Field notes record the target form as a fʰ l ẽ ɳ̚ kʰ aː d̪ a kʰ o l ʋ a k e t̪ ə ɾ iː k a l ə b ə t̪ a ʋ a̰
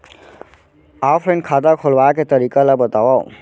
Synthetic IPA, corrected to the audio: a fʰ ɾ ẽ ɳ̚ kʰ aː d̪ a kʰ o l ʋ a k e t̪ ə ɾ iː k a l a b ə t̪ a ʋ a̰